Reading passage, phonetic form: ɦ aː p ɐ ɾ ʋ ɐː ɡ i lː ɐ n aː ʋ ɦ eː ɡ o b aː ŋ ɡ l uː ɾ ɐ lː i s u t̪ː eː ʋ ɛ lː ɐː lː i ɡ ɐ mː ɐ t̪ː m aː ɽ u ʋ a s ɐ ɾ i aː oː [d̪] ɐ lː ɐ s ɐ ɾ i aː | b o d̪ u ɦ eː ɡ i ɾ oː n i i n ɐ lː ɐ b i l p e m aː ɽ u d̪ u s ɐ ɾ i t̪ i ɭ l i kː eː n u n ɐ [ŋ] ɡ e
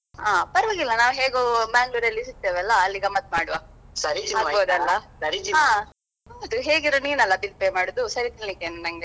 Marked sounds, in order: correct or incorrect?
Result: correct, correct

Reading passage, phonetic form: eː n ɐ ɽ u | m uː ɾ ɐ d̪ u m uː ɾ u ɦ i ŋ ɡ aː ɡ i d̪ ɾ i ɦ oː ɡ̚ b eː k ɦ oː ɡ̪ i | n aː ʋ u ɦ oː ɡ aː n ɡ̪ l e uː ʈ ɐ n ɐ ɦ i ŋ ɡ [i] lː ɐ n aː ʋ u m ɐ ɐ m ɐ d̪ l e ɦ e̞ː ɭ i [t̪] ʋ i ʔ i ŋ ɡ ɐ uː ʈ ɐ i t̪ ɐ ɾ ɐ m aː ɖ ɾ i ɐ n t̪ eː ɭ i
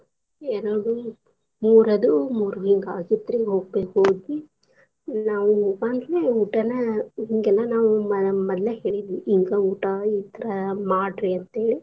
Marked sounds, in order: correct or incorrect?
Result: incorrect, incorrect

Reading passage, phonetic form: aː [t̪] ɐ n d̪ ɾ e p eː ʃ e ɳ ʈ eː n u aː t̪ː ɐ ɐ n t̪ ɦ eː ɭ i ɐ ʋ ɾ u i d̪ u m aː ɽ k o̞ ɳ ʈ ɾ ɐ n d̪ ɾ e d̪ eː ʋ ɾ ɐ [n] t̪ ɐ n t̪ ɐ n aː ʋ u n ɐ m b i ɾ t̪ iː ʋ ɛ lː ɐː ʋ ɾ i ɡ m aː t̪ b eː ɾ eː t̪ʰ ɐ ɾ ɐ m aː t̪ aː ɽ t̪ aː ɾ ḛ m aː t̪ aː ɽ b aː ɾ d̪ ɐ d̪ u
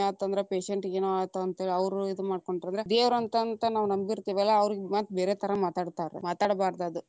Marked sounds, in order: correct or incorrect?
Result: correct, correct

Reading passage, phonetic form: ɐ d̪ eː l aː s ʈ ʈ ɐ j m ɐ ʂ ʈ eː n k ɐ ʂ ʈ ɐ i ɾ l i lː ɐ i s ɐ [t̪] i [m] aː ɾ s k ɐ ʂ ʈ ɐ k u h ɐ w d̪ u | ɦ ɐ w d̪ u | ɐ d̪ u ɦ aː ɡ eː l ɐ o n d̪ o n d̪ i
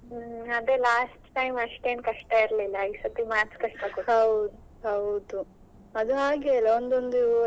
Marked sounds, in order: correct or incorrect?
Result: correct, correct

